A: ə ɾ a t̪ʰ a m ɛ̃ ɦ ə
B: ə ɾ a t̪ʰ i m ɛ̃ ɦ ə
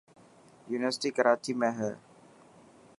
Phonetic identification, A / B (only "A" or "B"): B